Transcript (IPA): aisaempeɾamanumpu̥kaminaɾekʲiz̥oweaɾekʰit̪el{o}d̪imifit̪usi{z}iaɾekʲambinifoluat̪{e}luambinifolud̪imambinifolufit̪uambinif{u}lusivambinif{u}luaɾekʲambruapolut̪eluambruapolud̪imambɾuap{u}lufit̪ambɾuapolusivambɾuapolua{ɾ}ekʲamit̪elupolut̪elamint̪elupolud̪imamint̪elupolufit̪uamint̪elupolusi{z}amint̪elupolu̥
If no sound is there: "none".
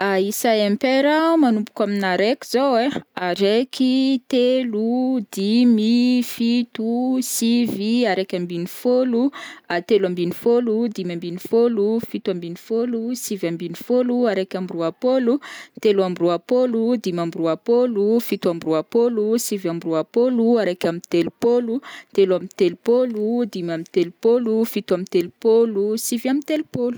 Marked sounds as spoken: u, v, e, o, o, o, ɾ, v

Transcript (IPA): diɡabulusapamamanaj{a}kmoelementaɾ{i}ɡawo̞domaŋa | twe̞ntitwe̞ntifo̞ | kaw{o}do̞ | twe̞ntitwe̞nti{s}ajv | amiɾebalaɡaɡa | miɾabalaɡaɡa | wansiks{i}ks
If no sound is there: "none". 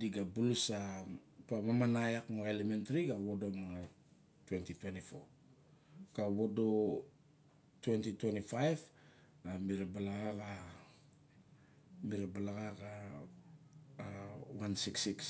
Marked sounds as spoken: a, i, o, f, i

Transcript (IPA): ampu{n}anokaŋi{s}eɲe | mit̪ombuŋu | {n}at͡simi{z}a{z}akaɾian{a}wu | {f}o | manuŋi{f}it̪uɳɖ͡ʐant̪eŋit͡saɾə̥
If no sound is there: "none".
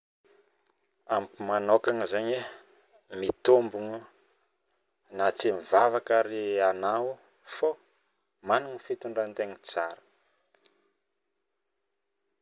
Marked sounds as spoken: m, z, n, v, v, a, f, f

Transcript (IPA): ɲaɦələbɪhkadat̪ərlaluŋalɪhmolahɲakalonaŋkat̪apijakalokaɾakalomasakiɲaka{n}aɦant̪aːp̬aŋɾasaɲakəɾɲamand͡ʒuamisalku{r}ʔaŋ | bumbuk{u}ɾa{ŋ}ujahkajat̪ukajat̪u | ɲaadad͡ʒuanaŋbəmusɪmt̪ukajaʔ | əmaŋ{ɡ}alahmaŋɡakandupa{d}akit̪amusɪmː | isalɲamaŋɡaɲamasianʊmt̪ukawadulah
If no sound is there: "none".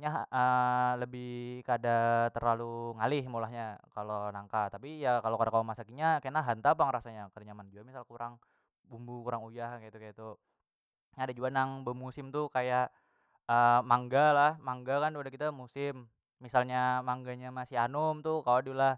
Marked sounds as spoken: n, ɾ, u, ŋ, ɡ, d

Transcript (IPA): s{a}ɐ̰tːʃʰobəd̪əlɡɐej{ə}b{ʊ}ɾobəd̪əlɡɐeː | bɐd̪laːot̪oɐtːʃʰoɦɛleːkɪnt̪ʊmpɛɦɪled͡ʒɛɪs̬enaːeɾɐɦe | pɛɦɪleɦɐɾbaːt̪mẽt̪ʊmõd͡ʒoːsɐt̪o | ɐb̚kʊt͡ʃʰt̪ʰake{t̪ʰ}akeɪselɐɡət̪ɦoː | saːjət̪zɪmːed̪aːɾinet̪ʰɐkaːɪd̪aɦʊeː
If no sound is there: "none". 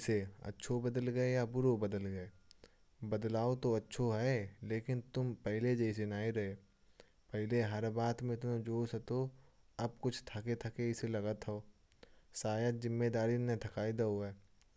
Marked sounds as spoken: e, a, ʊ, t̪ʰ

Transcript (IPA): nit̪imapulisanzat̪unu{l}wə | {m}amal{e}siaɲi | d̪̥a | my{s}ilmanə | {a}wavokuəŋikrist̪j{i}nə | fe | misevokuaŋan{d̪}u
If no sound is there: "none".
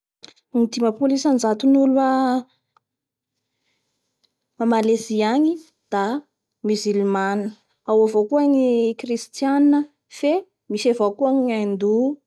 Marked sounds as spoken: l, m, e, z, a, a, d̪

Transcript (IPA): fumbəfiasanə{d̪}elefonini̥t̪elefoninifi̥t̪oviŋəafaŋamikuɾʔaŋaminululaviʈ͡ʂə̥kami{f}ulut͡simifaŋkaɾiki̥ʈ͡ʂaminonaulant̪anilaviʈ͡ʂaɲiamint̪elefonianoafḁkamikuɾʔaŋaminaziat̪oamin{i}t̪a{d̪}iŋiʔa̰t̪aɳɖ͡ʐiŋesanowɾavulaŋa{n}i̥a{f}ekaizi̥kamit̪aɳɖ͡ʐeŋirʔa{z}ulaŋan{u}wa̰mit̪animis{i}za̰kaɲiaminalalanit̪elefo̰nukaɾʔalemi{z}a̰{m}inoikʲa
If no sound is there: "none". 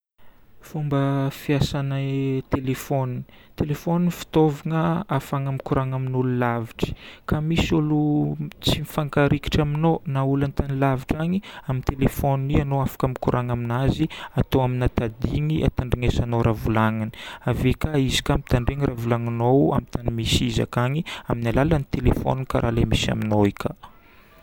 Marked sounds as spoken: t̪, s, a, d̪, n, v, v, o, i, s, m

